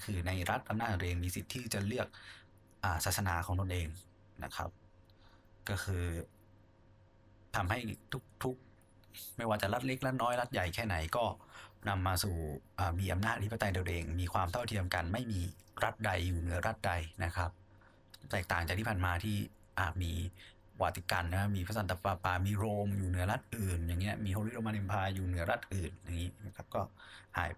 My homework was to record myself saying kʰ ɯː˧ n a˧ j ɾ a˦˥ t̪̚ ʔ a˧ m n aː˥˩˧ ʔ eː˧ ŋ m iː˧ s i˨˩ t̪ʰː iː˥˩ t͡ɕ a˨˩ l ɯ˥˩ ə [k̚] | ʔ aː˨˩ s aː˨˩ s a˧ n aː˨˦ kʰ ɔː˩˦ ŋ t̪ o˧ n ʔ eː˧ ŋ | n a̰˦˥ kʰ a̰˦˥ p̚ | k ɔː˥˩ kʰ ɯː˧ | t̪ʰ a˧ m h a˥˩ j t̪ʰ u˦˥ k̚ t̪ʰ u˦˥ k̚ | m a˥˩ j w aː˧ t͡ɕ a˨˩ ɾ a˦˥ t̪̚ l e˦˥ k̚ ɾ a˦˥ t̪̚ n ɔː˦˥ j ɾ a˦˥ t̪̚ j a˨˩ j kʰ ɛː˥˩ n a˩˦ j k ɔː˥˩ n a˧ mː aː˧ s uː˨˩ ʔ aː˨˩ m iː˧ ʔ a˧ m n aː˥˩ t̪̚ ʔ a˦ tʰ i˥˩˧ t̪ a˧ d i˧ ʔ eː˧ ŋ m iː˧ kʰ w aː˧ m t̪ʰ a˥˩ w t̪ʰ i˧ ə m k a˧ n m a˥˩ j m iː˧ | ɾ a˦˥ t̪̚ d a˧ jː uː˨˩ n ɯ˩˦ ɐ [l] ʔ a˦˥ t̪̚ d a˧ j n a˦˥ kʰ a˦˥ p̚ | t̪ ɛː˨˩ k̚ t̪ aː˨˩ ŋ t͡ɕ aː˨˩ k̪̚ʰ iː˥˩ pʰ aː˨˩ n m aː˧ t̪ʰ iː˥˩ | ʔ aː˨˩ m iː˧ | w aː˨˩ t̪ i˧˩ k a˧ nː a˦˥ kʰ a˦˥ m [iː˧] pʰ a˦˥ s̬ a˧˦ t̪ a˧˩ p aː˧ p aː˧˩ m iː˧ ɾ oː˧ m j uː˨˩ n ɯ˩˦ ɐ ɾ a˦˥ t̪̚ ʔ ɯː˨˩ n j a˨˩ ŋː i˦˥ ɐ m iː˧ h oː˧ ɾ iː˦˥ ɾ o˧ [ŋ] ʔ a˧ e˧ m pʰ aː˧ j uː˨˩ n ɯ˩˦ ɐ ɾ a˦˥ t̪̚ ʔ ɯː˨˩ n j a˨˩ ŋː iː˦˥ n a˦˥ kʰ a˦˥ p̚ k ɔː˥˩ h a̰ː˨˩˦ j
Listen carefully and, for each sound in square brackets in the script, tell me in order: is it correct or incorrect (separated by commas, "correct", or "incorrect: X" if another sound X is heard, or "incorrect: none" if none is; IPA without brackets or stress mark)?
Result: correct, incorrect: ɾ, correct, incorrect: m